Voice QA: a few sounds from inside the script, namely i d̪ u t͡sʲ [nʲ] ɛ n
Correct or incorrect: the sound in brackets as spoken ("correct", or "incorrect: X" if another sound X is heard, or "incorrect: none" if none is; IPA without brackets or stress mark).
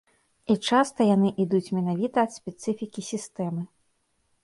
incorrect: mʲ